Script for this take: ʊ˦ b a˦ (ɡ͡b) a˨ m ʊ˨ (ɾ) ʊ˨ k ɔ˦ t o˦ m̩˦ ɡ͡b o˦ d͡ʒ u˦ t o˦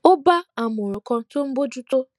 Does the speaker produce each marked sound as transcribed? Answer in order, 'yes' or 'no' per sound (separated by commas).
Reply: no, yes